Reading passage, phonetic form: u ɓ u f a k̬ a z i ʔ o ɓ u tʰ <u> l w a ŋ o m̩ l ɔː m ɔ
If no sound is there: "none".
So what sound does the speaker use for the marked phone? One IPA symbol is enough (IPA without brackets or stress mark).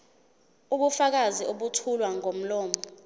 u